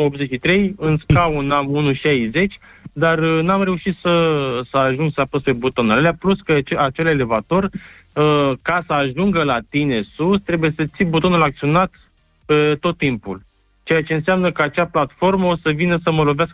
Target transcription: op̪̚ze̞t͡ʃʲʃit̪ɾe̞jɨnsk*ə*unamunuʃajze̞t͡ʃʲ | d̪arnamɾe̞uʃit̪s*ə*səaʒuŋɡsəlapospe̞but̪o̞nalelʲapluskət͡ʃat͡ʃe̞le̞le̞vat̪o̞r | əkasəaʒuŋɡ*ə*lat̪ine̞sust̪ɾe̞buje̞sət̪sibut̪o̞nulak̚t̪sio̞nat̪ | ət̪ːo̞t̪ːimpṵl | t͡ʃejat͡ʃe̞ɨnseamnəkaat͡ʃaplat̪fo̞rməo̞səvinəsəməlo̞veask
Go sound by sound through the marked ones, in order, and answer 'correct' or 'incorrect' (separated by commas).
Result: incorrect, correct, correct